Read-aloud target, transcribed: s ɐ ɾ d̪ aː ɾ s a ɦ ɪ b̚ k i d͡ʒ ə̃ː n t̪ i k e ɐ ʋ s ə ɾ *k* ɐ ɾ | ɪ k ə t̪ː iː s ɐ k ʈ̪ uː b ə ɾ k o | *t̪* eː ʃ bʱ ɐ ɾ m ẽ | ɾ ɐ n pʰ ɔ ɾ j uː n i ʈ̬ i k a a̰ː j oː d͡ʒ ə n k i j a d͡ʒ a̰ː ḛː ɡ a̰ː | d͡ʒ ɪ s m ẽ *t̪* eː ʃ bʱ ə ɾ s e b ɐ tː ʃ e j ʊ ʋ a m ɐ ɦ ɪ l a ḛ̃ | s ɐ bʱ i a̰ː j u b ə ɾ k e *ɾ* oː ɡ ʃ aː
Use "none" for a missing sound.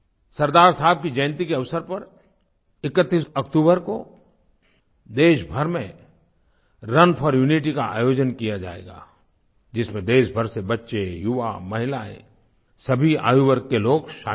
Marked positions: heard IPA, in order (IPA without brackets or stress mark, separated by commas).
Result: p, d̪, d̪, l